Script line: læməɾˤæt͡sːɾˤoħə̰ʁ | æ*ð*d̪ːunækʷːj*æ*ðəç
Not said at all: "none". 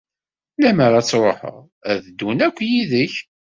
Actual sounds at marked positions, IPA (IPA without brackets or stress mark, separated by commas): ð, i